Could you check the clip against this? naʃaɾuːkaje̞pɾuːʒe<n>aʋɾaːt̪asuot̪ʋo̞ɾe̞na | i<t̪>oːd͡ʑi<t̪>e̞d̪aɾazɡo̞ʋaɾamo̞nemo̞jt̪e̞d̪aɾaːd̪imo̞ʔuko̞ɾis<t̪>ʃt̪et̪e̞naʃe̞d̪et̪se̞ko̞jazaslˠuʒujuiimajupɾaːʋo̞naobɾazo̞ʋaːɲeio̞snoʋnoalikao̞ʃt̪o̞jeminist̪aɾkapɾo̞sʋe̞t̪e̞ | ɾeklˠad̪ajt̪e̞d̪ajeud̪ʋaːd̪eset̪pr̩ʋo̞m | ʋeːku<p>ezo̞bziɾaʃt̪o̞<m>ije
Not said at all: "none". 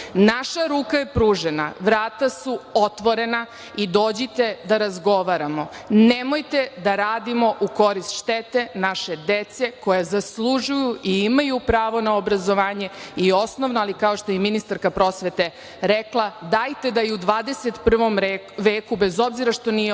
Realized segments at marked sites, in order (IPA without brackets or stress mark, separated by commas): n, d̪, t̪, t̪, b, n